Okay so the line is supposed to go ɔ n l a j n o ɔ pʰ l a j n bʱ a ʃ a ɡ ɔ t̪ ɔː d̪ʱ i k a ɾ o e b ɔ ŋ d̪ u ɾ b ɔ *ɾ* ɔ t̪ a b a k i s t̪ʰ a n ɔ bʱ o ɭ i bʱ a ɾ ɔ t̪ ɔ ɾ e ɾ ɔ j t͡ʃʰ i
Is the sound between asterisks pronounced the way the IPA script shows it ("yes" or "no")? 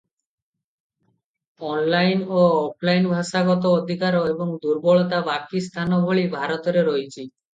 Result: no